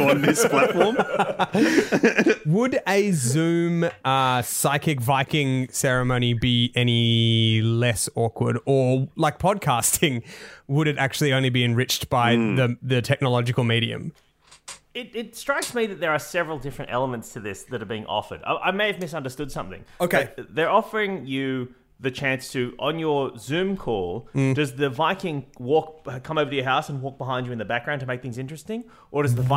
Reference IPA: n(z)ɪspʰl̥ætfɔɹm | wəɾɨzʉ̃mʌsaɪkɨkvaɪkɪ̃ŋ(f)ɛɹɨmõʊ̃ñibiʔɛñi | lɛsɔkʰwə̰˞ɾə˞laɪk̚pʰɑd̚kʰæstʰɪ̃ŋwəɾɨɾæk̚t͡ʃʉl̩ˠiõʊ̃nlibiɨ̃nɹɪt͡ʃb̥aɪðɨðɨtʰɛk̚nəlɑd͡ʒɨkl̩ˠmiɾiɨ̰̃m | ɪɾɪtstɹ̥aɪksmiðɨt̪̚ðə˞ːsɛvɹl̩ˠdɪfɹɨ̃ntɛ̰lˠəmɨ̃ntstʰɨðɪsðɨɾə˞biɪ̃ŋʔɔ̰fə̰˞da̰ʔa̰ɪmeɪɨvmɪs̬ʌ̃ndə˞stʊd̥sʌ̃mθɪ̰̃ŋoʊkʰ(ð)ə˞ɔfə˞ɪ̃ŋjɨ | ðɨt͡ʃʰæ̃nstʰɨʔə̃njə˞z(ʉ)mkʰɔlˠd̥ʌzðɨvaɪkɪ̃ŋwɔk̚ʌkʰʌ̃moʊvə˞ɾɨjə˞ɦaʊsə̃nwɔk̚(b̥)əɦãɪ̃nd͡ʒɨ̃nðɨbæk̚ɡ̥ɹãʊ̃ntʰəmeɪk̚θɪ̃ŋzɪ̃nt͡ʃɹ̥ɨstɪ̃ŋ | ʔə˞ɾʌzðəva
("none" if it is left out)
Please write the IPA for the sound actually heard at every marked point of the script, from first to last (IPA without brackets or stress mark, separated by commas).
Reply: ð, s, ð, ʉ̃, b̥